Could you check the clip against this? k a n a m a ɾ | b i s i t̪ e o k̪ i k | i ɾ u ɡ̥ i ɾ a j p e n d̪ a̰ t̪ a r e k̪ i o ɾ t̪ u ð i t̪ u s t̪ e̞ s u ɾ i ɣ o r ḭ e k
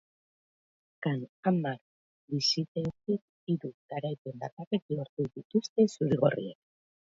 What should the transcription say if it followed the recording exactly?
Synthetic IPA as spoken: k a n a m a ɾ | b i s i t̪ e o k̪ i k | i ɾ u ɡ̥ a ɾ a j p e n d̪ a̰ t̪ a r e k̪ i o ɾ t̪ u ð i t̪ u s t̪ e̞ s u ɾ i ɣ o r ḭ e k

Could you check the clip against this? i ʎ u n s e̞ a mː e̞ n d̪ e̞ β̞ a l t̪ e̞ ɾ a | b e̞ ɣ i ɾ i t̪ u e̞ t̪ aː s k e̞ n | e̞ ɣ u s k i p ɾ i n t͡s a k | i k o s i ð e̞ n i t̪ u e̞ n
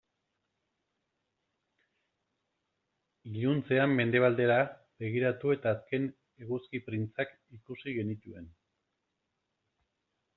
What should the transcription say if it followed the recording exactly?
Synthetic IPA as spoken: i ʎ u n t͡s e̞ a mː e̞ n d̪ e̞ β̞ a l d̪ e̞ ɾ a | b e̞ ɣ i ɾ a t̪ u e̞ t̪ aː s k e̞ n | e̞ ɣ u s k i p ɾ i n t͡s a k | i k u s i ɣ e̞ n i t̪ u e̞ n

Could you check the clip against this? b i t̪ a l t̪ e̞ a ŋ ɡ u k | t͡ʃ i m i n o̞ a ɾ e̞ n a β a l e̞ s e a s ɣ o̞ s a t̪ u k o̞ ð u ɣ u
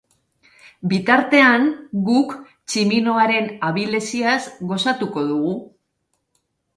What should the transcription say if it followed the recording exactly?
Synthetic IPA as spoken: b i t̪ a ɾ t̪ e̞ a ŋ ɡ u k | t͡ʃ i m i n o̞ a ɾ e̞ n a β i l e̞ s i a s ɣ o̞ s a t̪ u k o̞ ð u ɣ u

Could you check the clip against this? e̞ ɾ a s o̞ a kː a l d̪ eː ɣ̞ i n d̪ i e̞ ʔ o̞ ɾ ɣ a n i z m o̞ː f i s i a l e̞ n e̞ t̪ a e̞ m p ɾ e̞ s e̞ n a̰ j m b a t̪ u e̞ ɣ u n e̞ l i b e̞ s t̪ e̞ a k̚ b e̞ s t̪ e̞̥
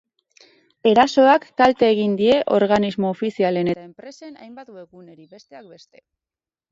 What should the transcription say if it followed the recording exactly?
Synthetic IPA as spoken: e̞ ɾ a s o̞ a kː a l t̪ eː ɣ̞ i n d̪ i e̞ ʔ o̞ ɾ ɣ a n i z m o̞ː f i s i a l e̞ n e̞ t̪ a e̞ m p ɾ e̞ s e̞ n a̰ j m b a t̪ u e̞ ɣ u n e̞ ɾ i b e̞ s t̪ e̞ a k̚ b e̞ s t̪ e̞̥

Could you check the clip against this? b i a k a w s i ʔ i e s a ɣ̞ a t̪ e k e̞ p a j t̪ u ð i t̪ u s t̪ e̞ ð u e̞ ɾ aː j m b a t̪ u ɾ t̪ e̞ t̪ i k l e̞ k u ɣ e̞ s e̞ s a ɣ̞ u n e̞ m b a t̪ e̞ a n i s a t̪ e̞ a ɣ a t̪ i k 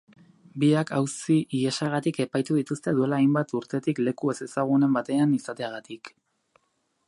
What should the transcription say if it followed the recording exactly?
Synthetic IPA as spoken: b i a k a w s i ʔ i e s a ɣ̞ a t̪ i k e̞ p a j t̪ u ð i t̪ u s t̪ e̞ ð u e̞ l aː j m b a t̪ u ɾ t̪ e̞ t̪ i k l e̞ k u e̞ s e̞ s a ɣ̞ u n e̞ m b a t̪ e̞ a n i s a t̪ e̞ a ɣ a t̪ i k

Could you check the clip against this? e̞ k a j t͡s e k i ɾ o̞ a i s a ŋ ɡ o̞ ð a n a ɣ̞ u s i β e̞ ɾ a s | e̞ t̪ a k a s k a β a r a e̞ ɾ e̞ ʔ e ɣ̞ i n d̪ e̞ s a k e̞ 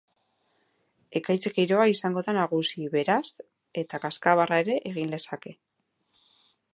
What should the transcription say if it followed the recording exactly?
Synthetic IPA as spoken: e̞ k a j t͡s e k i ɾ o̞ a i s a ŋ ɡ o̞ ð a n a ɣ̞ u s i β e̞ ɾ a s | e̞ t̪ a k a s k a β a r a e̞ ɾ e̞ ʔ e ɣ̞ i n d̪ e̞ s a k e̞

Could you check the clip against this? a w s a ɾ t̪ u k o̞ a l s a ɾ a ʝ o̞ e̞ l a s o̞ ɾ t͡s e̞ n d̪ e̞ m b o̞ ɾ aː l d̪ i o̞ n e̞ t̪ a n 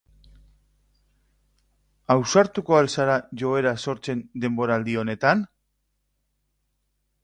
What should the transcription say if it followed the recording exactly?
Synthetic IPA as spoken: a w s a ɾ t̪ u k o̞ a l s a ɾ a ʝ o̞ e̞ ɾ a s o̞ ɾ t͡s e̞ n d̪ e̞ m b o̞ ɾ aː l d̪ i o̞ n e̞ t̪ a n

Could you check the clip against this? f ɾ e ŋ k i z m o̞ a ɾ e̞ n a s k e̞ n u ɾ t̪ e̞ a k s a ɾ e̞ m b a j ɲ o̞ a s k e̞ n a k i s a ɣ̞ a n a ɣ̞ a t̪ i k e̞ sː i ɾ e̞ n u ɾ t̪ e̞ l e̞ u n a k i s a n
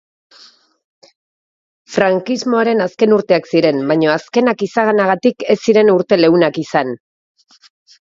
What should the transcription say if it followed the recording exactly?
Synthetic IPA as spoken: f ɾ a ŋ k i z m o̞ a ɾ e̞ n a s k e̞ n u ɾ t̪ e̞ a k s i ɾ e̞ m b a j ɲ o̞ a s k e̞ n a k i s a ɣ̞ a n a ɣ̞ a t̪ i k e̞ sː i ɾ e̞ n u ɾ t̪ e̞ l e̞ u n a k i s a n

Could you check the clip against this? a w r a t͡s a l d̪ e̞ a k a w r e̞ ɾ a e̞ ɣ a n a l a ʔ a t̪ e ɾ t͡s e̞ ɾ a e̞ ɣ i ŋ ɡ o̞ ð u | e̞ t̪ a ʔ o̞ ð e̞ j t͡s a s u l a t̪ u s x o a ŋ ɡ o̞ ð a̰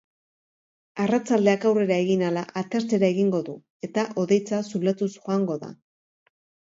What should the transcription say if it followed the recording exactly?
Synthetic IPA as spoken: a r a t͡s a l d̪ e̞ a k a w r e̞ ɾ a e̞ ɣ i n a l a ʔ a t̪ e ɾ t͡s e̞ ɾ a e̞ ɣ i ŋ ɡ o̞ ð u | e̞ t̪ a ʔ o̞ ð e̞ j t͡s a s u l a t̪ u s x o a ŋ ɡ o̞ ð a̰

